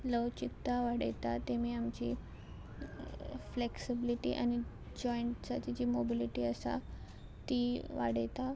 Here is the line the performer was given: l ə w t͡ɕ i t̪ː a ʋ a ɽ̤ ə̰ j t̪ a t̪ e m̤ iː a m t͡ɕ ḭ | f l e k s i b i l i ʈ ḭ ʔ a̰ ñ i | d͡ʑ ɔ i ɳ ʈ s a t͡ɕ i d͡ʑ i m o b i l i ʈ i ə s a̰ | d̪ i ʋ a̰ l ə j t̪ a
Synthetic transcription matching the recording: l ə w t͡ɕ i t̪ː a ʋ a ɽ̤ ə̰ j t̪ a t̪ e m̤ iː a m t͡ɕ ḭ | f l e k s i b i l i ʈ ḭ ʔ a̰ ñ i | d͡ʑ ɔ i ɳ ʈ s a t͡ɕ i d͡ʑ i m o b i l i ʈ i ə s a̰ | t̪ i ʋ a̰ ɽ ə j t̪ a